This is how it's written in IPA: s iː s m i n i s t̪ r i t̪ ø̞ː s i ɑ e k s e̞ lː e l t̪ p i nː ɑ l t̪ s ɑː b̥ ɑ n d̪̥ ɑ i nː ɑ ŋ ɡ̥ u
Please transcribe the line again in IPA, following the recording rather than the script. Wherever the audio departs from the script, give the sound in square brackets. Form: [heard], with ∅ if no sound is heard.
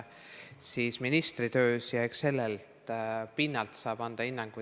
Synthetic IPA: s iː s m i n i s t̪ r i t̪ ø̞ː s [j] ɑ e k s e̞ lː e l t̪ p i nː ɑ l t̪ s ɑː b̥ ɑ n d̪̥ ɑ i nː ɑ ŋ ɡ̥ u